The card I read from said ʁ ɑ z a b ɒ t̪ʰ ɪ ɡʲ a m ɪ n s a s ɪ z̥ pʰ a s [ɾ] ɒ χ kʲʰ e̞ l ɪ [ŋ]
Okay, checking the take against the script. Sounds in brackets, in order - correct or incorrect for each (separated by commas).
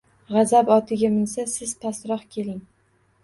correct, correct